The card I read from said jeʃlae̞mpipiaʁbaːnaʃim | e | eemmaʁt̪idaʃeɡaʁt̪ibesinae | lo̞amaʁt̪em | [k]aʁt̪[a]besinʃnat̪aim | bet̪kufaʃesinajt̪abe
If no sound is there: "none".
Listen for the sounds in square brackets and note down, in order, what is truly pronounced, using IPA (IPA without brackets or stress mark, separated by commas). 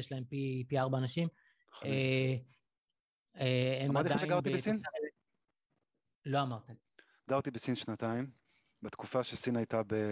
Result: ɡ, i